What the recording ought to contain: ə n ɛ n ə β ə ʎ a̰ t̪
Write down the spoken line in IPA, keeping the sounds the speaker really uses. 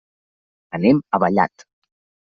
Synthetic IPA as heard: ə n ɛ m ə β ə ʎ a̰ t̪

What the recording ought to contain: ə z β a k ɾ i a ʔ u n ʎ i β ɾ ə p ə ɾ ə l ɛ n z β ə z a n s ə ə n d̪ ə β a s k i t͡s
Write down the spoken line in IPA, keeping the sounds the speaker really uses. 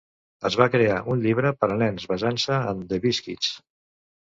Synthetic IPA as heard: ə z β a k ɾ e a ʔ u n ʎ i β ɾ ə p ə ɾ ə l ɛ n z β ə z a n s ə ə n d̪ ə β i s k i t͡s

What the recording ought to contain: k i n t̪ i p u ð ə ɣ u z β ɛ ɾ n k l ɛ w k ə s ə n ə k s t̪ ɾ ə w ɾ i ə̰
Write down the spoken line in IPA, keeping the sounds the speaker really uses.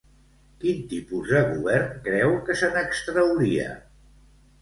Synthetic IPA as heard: k i n t̪ i p u z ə ɣ u β ɛ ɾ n k ɾ ɛ w k ə s ə n ə k s t̪ ɾ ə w ɾ i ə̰

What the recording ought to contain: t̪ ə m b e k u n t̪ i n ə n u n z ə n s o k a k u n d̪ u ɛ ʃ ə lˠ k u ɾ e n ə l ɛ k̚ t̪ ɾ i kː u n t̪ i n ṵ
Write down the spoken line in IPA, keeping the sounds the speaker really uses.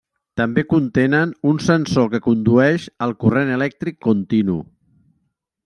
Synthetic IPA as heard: t̪ ə m b e k u n t̪ e n ə n u n s ə n s o k ə k u n d̪ u ɛ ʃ ə lˠ k u r e n ə l ɛ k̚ t̪ ɾ i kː u n t̪ i n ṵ

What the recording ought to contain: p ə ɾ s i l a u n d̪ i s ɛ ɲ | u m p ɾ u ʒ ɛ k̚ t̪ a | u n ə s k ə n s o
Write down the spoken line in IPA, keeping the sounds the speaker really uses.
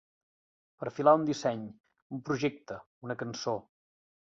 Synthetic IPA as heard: p ə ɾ f i l a u n d̪ i s ɛ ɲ | u m p ɾ u ʒ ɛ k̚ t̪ ə | u n ə k ə n s o

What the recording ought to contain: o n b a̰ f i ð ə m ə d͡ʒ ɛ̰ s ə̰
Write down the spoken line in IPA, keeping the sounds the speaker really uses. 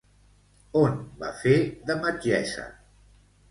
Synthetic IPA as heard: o n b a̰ f e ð ə m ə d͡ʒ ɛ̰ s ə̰

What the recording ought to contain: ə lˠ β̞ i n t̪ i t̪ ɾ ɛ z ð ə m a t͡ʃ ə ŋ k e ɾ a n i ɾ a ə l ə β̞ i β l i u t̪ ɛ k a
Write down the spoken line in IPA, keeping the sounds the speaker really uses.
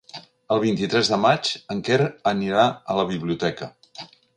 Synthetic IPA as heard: ə lˠ β̞ i n t̪ i t̪ ɾ ɛ z ð ə m a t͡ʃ ə ŋ k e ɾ ə n i ɾ a ə l ə β̞ i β l i u t̪ ɛ k ə

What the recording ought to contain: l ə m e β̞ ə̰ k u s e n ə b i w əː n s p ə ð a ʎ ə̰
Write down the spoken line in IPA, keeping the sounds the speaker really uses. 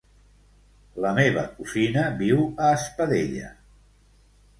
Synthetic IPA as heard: l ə m e β̞ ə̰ k u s i n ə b i w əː s p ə ð e ʎ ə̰

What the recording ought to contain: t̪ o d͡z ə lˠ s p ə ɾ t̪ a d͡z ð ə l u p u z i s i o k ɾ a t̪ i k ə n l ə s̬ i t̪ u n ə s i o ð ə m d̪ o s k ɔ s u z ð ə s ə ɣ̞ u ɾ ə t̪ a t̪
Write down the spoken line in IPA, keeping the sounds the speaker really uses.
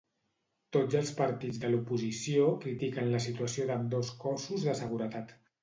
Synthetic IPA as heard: t̪ o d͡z ə lˠ s p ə ɾ t̪ i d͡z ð ə l u p u z i s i o k ɾ i t̪ i k ə n l ə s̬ i t̪ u ə s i o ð ə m d̪ o s k ɔ s u z ð ə s ə ɣ̞ u ɾ ə t̪ a t̪

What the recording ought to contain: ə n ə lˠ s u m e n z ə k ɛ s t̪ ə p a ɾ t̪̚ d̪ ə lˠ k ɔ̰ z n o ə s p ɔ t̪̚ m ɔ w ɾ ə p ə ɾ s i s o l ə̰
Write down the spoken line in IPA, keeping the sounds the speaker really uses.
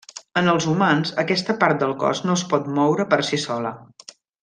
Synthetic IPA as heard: ə n ə lˠ z u m a n z ə k ɛ s t̪ ə p a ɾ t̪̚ d̪ ə lˠ k ɔ̰ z n o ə s p ɔ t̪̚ m ɔ w ɾ ə p ə ɾ s i s ɔ l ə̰

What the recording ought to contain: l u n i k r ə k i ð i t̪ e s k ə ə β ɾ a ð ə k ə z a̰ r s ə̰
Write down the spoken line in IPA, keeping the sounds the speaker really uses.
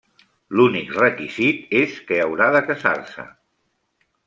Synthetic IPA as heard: l u n i k r ə k i z i t̪ e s k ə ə w ɾ a ð ə k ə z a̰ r s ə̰

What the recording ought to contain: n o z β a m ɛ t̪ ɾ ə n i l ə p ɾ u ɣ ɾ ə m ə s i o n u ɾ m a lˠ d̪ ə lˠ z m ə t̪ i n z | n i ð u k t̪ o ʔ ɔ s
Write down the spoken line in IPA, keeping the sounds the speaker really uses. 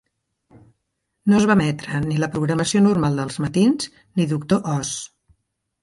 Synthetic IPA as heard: n o z β a m ɛ t̪ ɾ ə n i l ə p ɾ u ɣ ɾ ə m ə s i o n u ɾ m a lˠ d̪ ə lˠ z m ə t̪ i n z | n i ð u k t̪ o ʔ ɔ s

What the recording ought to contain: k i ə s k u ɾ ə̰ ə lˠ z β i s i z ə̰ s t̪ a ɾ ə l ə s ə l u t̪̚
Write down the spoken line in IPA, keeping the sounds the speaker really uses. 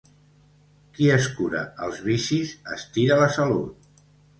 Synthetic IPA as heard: k i ə s k u ɾ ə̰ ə lˠ z β i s i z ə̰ s t̪ i ɾ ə l ə s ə l u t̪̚

